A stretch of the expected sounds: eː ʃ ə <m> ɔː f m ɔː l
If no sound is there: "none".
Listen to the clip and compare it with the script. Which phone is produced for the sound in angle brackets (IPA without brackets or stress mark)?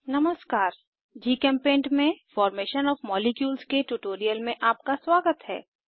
n